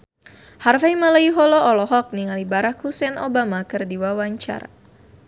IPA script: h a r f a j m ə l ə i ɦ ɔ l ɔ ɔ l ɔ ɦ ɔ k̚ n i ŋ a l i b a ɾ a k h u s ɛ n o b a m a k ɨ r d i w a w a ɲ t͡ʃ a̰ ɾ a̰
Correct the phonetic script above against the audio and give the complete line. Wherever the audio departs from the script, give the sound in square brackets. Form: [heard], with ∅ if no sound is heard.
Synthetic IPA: h a r f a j m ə l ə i ɦ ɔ l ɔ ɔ l ɔ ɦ ɔ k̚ n i ŋ a l i b a ɾ a k h u s ɛ n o b a m a k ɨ r d i w a w a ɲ t͡ʃ a̰ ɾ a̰